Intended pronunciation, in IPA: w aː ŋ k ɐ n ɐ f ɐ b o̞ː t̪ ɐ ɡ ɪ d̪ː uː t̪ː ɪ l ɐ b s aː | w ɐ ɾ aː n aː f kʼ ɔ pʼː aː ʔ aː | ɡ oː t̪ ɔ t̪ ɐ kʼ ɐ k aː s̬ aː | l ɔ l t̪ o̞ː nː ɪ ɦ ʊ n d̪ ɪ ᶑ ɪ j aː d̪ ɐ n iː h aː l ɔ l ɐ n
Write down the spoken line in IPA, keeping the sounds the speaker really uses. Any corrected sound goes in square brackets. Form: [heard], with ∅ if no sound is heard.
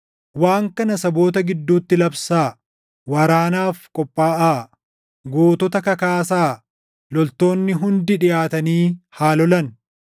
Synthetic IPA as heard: w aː ŋ k ɐ n ɐ [s] ɐ b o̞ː t̪ ɐ ɡ ɪ d̪ː uː t̪ː ɪ l ɐ b s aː | w ɐ ɾ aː n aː f kʼ ɔ pʼː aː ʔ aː | ɡ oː t̪ ɔ t̪ ɐ [k] ɐ k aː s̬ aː | l ɔ l t̪ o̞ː nː ɪ ɦ ʊ n d̪ ɪ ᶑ ɪ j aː [t̪] ɐ n iː h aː l ɔ l ɐ n